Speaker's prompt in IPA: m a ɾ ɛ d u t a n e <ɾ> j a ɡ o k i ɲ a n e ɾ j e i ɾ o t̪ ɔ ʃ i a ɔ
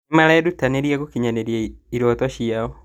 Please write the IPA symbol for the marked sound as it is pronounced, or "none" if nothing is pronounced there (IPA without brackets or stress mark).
ɾ